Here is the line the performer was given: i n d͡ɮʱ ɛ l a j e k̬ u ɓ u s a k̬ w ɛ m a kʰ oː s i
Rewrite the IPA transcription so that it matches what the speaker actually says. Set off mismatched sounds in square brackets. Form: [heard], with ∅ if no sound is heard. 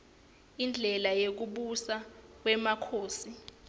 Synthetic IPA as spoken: i n d͡ɮʱ ɛ l a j e k̬ u ɓ u s a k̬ w ɛ m a kʰ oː s i